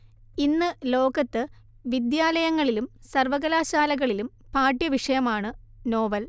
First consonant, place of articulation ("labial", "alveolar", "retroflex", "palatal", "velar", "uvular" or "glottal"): alveolar